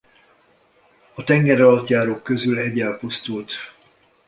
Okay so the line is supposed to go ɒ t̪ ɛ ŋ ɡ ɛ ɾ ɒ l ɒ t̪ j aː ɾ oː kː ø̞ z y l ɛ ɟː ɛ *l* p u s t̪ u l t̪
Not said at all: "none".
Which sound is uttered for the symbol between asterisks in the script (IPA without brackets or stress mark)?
l